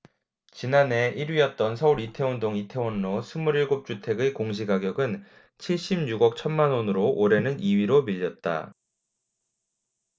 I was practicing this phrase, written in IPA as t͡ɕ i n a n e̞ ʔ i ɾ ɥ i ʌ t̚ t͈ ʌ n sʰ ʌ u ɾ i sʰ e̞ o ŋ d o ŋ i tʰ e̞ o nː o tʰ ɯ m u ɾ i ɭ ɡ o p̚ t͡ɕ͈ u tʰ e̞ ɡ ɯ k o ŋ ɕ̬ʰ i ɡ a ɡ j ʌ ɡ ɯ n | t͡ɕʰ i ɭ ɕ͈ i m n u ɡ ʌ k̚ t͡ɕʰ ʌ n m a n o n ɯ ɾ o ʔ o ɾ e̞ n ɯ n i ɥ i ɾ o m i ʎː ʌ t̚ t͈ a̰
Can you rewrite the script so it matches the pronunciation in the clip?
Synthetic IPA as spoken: t͡ɕ i n a n e̞ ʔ i ɾ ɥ i ʌ t̚ t͈ ʌ n sʰ ʌ u ɾ i tʰ e̞ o n d o ŋ i tʰ e̞ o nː o sʰ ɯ m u ɾ i ɭ ɡ o p̚ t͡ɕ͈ u tʰ e̞ ɡ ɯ k o ŋ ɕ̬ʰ i ɡ a ɡ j ʌ ɡ ɯ n | t͡ɕʰ i ɭ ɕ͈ i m ɲ u ɡ ʌ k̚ t͡ɕʰ ʌ n m a n o n ɯ ɾ o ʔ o ɾ e̞ n ɯ n i ɥ i ɾ o m i ʎː ʌ t̚ t͈ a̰